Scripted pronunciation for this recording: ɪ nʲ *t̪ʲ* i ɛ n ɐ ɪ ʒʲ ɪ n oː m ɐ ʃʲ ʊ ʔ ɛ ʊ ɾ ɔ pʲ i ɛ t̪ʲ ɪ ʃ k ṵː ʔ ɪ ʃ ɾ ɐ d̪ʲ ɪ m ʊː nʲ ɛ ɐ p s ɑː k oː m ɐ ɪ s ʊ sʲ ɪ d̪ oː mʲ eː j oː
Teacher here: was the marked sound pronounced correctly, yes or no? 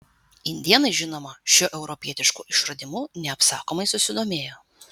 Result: no